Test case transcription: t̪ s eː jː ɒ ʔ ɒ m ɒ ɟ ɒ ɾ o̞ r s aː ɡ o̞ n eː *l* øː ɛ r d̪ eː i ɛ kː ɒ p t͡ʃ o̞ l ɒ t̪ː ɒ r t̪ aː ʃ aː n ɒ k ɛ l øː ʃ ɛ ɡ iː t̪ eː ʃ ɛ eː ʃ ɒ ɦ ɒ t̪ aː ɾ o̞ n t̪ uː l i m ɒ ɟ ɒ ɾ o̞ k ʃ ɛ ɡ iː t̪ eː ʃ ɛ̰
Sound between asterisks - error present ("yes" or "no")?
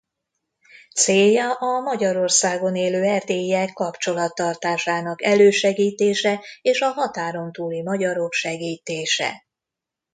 no